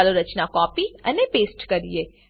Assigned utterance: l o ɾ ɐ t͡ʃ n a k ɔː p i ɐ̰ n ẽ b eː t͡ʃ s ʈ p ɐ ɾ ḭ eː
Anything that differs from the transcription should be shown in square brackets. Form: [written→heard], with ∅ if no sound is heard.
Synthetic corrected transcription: l o ɾ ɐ t͡ʃ n a k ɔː p i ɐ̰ n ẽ [b→p] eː [t͡ʃ→∅] s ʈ [p→k] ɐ ɾ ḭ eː